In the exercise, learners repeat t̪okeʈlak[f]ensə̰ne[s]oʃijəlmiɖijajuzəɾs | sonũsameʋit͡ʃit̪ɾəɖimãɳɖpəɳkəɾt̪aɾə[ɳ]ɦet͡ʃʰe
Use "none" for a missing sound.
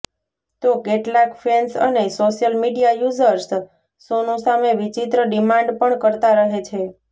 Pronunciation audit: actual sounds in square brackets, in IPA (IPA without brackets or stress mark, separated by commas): f, s, none